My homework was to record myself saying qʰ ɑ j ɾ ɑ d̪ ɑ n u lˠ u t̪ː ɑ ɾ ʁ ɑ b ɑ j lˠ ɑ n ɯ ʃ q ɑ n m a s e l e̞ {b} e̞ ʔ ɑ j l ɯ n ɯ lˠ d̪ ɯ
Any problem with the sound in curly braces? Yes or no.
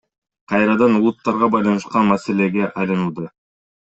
yes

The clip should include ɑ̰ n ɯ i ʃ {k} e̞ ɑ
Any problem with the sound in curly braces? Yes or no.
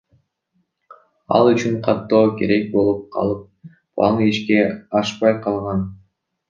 no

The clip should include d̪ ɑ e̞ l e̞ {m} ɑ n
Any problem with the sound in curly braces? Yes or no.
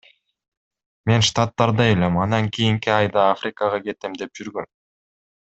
no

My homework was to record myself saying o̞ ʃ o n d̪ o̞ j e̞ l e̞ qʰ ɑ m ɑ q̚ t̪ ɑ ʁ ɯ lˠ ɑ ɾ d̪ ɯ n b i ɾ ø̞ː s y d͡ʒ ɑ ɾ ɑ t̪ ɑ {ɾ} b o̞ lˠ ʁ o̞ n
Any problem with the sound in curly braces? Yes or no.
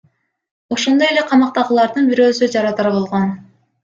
no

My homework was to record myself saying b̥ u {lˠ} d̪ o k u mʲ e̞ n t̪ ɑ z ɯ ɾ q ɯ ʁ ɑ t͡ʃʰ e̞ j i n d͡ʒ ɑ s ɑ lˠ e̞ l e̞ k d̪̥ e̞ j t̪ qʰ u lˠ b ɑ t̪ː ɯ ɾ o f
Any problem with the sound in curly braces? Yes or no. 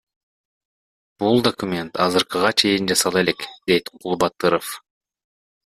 no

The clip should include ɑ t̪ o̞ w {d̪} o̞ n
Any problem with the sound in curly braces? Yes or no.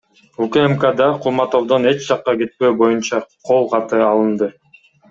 no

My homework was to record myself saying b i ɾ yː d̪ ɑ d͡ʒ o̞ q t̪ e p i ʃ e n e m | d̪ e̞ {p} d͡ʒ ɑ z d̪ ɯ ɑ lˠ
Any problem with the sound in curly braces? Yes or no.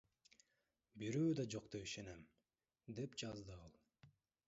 no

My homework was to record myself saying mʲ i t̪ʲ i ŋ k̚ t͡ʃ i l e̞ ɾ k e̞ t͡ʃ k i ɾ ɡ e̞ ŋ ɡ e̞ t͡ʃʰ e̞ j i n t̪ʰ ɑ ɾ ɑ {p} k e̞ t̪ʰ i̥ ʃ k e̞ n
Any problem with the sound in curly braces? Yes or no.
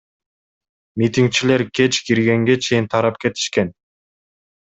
no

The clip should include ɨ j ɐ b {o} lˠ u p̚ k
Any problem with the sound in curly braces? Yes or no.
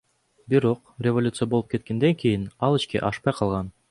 no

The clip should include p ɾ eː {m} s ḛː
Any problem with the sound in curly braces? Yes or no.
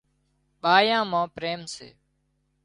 no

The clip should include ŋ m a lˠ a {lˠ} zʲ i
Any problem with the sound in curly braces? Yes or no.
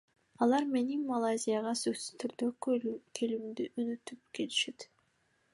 yes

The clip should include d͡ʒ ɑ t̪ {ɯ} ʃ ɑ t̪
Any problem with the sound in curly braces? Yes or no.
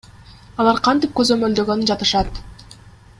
no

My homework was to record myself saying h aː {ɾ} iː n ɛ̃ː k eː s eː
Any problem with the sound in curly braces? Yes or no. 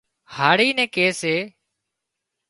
yes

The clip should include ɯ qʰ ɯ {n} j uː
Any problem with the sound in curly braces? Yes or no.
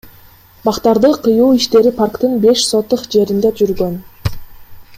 yes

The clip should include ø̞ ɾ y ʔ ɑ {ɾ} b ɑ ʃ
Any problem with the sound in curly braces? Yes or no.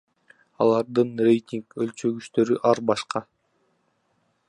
no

